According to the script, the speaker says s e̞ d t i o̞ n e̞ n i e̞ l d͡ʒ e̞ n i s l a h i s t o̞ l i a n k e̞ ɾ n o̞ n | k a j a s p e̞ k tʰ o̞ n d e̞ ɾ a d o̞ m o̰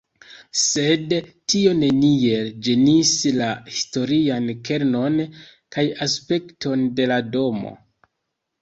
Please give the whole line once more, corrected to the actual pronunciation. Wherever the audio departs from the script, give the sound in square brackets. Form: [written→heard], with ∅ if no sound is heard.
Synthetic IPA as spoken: s e̞ d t i o̞ n e̞ n i e̞ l d͡ʒ e̞ n i s l a h i s t o̞ [l→ɾ] i a n k e̞ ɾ n o̞ n | k a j a s p e̞ k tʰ o̞ n d e̞ [ɾ→l] a d o̞ m o̰